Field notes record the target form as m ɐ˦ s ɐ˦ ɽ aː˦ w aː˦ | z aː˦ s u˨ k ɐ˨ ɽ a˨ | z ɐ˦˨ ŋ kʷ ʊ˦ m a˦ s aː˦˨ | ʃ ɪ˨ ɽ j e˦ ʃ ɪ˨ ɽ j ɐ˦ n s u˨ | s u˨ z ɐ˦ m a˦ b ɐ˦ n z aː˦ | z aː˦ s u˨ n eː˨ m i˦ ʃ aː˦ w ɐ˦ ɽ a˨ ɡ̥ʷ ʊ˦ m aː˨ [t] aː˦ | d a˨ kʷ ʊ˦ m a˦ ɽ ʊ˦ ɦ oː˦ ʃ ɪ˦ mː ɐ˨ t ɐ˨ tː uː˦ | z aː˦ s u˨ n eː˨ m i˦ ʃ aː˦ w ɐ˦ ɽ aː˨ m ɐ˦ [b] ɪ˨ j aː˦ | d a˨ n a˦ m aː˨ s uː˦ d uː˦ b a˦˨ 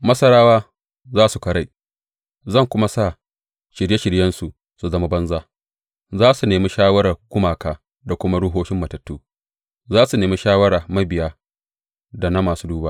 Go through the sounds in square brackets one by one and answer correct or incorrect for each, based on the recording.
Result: incorrect: k, correct

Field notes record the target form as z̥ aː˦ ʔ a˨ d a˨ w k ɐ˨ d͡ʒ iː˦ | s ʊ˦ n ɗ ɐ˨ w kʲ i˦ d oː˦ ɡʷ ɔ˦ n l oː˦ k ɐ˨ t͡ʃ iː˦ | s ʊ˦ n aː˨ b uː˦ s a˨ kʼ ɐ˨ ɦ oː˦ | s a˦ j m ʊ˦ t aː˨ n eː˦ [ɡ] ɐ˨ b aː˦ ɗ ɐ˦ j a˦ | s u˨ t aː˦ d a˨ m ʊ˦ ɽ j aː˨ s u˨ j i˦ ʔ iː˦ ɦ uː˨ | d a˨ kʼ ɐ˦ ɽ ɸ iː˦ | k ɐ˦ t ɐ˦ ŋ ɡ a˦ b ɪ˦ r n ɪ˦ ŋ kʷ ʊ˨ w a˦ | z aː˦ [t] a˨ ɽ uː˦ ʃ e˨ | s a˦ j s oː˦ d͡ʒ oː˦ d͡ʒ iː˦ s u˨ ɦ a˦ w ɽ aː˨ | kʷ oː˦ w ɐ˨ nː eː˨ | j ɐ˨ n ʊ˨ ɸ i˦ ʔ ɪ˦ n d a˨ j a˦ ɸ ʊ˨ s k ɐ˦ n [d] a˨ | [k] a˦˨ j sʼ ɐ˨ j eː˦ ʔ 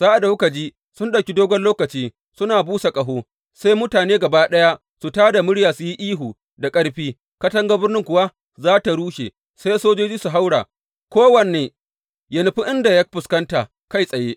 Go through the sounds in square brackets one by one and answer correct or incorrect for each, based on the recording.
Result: correct, correct, incorrect: t, correct

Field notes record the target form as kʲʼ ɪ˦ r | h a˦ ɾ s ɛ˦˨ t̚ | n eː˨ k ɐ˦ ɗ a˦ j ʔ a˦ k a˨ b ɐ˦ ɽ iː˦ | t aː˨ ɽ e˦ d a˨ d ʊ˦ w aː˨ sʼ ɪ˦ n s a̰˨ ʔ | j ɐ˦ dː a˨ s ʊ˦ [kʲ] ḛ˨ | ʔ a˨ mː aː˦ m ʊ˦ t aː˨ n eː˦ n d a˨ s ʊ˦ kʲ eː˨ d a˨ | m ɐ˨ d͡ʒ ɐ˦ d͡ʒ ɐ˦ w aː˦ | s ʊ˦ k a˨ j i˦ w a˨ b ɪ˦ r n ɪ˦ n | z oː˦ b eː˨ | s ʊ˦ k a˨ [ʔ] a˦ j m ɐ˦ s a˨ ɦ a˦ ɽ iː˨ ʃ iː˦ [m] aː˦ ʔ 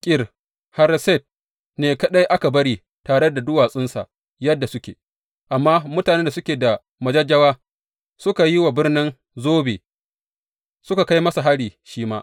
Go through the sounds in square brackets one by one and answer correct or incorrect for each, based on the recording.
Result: correct, incorrect: k, correct

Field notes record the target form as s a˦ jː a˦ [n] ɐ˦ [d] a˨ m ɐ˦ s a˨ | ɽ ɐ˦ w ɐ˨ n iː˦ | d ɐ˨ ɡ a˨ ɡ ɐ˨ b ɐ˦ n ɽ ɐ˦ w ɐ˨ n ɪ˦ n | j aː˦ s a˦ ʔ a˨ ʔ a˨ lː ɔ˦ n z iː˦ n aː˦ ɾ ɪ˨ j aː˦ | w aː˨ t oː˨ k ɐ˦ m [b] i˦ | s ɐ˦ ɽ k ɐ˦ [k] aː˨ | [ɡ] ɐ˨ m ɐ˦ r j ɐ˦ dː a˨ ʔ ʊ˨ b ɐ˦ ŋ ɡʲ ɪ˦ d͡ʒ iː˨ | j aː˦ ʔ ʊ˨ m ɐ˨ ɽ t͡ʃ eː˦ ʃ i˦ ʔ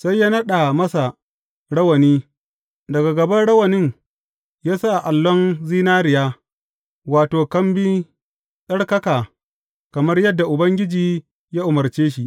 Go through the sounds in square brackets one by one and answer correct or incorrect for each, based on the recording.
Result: correct, incorrect: ɗ, correct, correct, incorrect: k

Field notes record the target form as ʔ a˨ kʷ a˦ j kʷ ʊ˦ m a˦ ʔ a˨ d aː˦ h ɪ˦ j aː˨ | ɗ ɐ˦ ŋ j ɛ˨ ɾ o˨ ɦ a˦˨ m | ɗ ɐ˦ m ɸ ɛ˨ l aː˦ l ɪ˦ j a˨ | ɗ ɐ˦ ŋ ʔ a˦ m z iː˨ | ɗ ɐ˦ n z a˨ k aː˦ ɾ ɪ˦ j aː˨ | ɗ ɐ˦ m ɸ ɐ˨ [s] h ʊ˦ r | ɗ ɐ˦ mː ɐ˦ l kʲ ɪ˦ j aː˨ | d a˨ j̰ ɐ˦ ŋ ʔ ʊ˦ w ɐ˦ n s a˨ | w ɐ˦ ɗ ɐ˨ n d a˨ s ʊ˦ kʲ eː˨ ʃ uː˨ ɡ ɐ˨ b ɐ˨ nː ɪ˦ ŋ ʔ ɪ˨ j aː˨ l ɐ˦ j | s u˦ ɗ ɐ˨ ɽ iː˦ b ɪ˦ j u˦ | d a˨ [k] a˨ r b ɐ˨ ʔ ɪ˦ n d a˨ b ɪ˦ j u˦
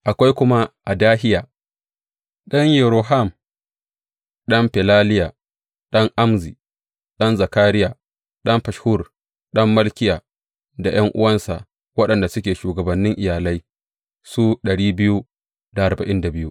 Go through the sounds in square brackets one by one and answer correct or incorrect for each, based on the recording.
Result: incorrect: ʃ, incorrect: ʔ

